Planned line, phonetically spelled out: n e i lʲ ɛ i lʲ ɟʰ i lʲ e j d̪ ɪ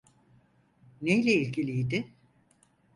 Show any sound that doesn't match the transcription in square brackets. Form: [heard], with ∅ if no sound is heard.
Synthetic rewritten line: n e [j] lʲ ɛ i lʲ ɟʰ i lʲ [i] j d̪ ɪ